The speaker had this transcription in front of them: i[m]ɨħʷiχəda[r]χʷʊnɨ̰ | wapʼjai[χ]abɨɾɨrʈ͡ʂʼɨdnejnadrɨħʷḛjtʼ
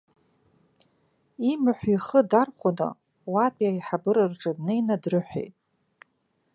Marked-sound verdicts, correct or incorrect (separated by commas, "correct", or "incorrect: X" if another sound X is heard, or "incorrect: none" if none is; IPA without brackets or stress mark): correct, correct, incorrect: ħ